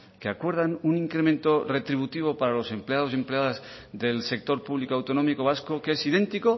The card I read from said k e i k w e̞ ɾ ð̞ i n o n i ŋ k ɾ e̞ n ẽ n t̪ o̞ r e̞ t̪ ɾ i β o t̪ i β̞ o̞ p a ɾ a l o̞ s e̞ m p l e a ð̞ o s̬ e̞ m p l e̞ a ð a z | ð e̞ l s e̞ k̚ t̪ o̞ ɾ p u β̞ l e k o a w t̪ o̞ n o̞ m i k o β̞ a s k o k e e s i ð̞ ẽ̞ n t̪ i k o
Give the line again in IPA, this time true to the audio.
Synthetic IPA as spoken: k e a k w e̞ ɾ ð̞ a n u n i ŋ k ɾ e̞ m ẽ n t̪ o̞ r e̞ t̪ ɾ i β u t̪ i β̞ o̞ p a ɾ a l o̞ s e̞ m p l e a ð̞ o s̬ e̞ m p l e̞ a ð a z | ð e̞ l s e̞ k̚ t̪ o̞ ɾ p u β̞ l i k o a w t̪ o̞ n o̞ m i k o β̞ a s k o k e e s i ð̞ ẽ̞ n t̪ i k o